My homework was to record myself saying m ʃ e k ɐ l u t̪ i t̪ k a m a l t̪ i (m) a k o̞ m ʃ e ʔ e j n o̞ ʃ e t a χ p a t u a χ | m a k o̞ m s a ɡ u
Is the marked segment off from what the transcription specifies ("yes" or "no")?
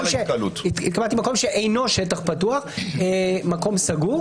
no